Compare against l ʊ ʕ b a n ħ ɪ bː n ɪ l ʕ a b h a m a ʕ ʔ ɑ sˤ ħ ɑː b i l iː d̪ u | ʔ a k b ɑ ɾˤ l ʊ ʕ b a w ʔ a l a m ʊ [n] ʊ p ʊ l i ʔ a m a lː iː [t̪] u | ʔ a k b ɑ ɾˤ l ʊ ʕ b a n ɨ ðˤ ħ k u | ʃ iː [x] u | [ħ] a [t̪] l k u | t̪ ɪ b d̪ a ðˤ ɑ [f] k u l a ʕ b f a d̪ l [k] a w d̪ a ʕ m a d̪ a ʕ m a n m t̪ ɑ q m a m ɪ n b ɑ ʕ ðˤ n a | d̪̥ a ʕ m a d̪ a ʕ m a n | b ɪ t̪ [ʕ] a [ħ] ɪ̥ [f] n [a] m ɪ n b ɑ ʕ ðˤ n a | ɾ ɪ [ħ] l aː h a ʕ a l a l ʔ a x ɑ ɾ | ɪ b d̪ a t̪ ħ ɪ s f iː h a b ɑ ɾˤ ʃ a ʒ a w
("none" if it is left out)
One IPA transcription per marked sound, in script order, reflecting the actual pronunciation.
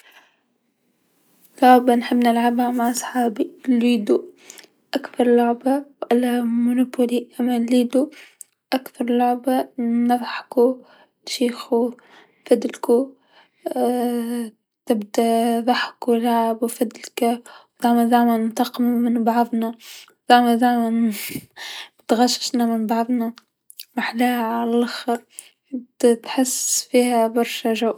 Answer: n, d̪, x, f, d̪, ħ, k, ɣ, ʃ, ʃ, a, ħ

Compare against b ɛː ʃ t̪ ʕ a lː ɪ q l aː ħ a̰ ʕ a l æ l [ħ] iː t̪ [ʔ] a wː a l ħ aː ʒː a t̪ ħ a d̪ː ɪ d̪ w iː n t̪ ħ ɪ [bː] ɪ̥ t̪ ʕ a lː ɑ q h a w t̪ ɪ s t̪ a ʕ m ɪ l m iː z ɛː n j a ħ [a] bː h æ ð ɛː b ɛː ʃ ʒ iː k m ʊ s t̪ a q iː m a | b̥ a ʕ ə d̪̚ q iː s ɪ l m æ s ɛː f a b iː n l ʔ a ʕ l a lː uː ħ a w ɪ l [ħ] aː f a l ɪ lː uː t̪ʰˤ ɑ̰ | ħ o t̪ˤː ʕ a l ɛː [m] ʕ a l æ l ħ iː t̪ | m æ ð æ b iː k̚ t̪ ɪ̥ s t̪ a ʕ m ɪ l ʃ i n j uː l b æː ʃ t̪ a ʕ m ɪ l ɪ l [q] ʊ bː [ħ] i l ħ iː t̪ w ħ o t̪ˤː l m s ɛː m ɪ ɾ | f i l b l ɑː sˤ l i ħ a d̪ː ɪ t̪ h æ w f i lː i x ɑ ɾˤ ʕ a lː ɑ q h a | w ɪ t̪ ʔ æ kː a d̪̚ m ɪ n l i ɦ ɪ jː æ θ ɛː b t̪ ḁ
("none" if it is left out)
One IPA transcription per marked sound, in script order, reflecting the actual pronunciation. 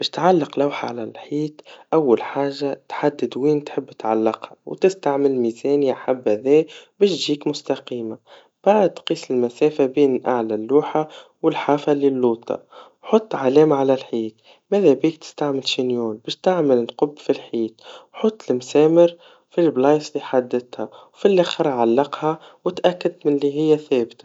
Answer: ħ, ʔ, bː, a, ħ, m, q, f

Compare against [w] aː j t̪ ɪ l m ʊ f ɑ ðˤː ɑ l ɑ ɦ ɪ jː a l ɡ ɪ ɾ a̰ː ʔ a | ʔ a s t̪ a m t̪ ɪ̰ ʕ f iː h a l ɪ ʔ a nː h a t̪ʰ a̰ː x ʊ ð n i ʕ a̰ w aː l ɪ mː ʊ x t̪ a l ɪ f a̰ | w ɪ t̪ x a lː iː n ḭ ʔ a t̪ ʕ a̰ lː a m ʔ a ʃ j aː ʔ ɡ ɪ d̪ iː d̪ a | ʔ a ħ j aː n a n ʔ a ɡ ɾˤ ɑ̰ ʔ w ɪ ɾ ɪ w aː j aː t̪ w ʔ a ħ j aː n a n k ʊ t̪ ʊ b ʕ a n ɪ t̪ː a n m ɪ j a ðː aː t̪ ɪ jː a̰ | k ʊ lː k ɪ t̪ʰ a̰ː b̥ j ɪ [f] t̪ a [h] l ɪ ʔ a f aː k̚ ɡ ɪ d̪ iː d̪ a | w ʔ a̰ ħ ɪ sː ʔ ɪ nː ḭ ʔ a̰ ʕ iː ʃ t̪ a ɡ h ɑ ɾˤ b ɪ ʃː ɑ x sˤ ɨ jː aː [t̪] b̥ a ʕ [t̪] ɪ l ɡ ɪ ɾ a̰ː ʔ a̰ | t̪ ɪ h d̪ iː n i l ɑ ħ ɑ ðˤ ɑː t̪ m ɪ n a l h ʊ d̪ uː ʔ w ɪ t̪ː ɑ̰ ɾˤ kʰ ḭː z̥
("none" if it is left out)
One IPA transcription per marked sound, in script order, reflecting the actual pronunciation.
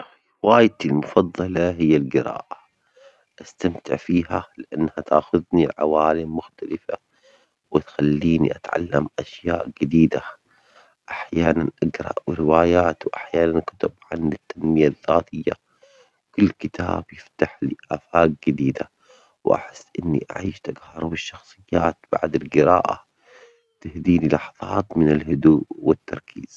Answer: w, f, ħ, t̪, d̪

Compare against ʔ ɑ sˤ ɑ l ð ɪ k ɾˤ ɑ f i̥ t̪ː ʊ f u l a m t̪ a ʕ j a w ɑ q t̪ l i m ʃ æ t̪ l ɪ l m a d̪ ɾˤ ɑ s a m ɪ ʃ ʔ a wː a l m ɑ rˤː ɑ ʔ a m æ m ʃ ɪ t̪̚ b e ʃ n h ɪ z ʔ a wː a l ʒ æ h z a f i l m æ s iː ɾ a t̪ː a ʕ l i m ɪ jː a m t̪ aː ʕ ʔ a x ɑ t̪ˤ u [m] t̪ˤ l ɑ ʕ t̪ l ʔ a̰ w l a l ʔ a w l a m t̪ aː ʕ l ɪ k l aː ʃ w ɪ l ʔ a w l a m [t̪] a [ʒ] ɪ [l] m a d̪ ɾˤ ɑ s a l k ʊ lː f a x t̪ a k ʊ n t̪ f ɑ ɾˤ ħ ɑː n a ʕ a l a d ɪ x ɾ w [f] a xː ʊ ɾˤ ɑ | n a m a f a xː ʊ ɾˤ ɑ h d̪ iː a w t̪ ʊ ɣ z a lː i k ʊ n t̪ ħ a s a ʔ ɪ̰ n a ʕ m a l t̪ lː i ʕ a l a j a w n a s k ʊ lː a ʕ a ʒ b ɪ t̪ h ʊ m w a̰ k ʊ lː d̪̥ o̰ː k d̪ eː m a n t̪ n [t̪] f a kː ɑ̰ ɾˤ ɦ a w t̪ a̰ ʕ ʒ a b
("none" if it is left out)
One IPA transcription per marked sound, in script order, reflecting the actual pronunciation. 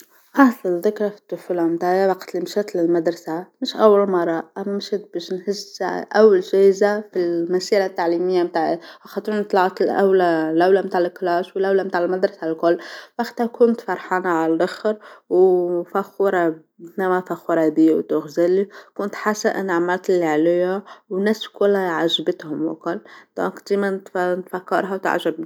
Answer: n, t̪, ʕ, l, f, t̪

